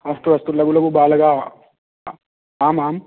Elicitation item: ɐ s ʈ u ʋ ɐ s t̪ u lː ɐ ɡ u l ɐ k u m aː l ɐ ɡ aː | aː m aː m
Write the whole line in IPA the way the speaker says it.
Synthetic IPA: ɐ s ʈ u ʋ ɐ s t̪ u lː ɐ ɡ u l ɐ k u b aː l ɐ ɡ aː | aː m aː m